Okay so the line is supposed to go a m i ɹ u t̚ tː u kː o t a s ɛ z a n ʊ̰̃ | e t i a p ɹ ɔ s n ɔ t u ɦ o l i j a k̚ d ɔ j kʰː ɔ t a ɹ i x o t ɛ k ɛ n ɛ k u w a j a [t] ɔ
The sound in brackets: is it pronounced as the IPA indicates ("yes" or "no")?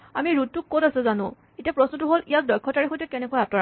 yes